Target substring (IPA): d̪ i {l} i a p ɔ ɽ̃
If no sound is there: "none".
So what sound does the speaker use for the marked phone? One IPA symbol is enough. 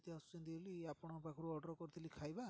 l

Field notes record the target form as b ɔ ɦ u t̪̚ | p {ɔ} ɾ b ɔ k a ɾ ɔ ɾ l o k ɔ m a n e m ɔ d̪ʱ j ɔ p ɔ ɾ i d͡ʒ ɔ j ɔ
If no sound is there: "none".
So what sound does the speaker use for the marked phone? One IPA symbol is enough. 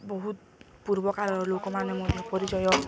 u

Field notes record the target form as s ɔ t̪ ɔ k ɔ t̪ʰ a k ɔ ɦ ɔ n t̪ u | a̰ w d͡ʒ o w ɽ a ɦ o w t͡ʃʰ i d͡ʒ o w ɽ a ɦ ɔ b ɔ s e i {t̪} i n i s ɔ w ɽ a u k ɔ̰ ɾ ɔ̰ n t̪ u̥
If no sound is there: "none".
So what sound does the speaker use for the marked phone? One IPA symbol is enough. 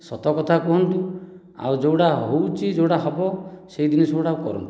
d̪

